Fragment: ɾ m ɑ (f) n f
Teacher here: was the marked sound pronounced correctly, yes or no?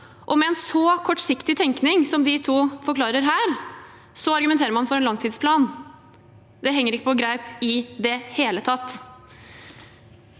no